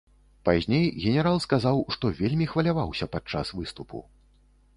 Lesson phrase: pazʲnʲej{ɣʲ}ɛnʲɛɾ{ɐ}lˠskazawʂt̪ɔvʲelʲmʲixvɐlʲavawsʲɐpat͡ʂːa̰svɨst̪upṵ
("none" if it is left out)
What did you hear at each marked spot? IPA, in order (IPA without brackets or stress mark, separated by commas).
ɣʲ, a